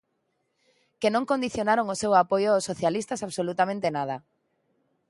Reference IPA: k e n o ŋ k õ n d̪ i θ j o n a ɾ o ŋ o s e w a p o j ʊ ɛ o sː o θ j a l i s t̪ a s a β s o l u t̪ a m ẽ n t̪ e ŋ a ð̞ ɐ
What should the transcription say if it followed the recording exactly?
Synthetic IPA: k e n õ ŋ k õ n d̪ i θ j o n a ɾ o ŋ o s e w a p o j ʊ a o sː o θ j a l i s t̪ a s a β s o l u t̪ a m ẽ n t̪ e n a ð̞ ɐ